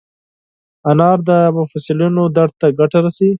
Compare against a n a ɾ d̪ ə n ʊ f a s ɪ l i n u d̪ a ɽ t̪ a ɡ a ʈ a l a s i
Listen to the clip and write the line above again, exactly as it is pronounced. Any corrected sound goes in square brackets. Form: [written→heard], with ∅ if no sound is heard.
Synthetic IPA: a n [a→ɑ] ɾ d̪ ə [n→m] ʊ f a s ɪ l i n [u→o] d̪ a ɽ t̪ a ɡ a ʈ a [l→ɾ] a s i